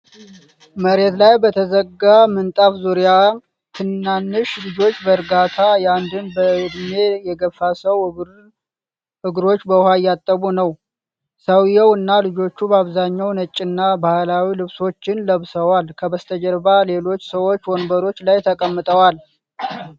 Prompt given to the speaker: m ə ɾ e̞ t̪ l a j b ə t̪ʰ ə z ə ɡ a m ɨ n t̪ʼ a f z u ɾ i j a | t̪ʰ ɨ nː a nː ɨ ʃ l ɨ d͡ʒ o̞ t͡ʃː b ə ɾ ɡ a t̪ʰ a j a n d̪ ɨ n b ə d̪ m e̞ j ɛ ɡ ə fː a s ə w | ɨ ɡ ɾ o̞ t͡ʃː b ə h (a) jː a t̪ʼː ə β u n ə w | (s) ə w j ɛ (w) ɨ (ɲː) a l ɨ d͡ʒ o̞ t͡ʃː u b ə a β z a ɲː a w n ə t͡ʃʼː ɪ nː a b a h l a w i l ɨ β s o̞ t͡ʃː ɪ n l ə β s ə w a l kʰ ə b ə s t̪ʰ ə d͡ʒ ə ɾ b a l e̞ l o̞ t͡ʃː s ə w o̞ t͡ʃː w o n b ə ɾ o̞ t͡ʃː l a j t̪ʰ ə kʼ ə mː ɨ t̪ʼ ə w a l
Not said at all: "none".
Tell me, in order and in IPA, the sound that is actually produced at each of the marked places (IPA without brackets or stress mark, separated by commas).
a, s, w, nː